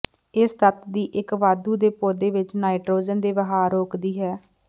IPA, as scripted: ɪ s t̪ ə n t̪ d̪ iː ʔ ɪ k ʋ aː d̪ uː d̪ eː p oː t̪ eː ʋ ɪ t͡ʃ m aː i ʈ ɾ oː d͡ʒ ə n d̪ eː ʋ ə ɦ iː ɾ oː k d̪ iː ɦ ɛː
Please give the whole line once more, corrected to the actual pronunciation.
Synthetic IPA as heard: ɪ s t̪ ə t̪ d̪ iː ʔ ɪ k ʋ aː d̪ uː d̪ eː p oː d̪ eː ʋ ɪ t͡ʃ n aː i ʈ ɾ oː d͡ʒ ə n d̪ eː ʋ ə ɦ aː ɾ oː k d̪ iː ɦ ɛː